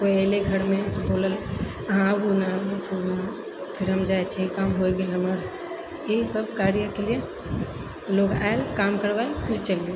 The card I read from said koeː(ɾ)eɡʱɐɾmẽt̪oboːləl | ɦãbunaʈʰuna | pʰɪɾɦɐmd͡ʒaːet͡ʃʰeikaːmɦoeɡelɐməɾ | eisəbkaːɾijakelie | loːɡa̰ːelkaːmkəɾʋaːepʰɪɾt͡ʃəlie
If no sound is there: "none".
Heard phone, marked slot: l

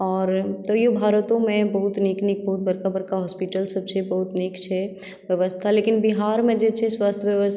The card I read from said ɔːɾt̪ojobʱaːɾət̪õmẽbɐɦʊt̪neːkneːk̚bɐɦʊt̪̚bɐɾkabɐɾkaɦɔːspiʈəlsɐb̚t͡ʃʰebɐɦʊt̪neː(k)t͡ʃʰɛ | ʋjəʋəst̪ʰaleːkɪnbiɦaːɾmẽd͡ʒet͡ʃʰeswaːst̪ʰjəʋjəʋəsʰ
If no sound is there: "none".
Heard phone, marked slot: k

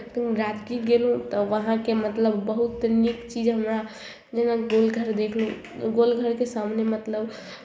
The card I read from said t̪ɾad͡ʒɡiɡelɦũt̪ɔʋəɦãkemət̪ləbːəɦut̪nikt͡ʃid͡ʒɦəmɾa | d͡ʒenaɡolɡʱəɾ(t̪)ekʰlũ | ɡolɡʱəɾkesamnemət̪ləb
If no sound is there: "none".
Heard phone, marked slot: d̪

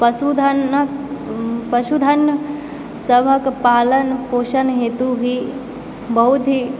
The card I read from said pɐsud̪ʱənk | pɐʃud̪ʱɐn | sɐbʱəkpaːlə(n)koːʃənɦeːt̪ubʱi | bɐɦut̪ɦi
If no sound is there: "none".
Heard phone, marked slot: n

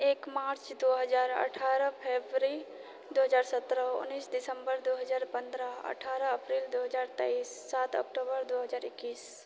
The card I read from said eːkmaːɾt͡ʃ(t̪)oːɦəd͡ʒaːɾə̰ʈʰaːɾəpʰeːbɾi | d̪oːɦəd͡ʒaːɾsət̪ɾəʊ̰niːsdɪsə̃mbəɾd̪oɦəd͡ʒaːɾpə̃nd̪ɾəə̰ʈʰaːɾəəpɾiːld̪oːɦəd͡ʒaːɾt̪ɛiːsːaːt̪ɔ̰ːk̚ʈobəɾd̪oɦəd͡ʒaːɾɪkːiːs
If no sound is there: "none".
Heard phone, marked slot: d̪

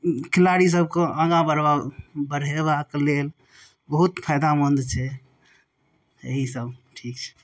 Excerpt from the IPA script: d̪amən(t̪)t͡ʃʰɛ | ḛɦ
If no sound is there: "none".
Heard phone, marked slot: d̪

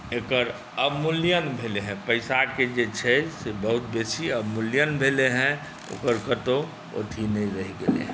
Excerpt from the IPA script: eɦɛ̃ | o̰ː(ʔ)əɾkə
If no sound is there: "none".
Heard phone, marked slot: k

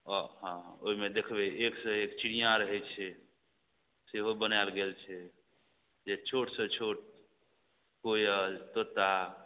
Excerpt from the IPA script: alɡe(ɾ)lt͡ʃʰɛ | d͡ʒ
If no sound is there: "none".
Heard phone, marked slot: none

